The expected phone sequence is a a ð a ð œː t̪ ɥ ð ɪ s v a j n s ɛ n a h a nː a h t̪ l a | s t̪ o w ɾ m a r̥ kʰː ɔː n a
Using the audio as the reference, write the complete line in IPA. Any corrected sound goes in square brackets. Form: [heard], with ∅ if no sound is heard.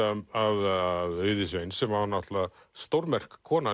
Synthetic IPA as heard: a a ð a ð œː [∅] ɥ ð ɪ s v [e] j n s ɛ [m] a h a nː a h t̪ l a | s t̪ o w ɾ m [ɛ] r̥ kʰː ɔː n a